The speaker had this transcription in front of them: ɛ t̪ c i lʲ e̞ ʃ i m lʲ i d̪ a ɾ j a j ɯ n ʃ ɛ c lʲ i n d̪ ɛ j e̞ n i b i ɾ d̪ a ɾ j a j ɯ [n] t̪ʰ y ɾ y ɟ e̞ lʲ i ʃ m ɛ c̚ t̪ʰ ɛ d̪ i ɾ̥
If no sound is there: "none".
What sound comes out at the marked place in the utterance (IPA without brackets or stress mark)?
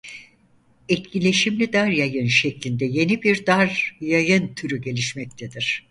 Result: n